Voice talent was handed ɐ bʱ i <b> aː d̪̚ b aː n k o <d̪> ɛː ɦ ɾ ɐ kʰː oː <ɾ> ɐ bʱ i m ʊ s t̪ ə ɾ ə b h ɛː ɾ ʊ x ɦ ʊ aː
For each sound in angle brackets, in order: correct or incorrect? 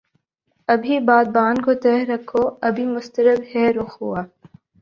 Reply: correct, incorrect: t̪, incorrect: none

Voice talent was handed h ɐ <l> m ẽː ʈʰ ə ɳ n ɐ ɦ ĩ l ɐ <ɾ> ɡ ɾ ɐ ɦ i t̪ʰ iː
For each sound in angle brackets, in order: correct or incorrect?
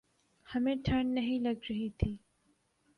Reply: incorrect: none, incorrect: none

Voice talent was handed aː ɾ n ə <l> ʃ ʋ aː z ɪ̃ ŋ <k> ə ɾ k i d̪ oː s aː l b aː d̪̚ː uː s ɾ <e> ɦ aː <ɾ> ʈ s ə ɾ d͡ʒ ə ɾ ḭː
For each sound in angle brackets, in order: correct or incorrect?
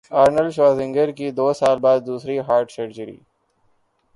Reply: correct, incorrect: ɡ, incorrect: i, correct

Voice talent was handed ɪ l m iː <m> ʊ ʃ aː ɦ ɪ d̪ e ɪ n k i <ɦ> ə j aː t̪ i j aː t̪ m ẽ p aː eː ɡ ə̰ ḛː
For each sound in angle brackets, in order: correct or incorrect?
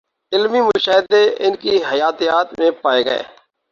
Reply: correct, correct

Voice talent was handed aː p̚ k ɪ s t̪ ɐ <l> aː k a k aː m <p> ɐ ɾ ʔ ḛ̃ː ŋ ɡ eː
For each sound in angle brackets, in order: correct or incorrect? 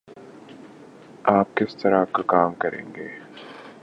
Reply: incorrect: ɾ, incorrect: k

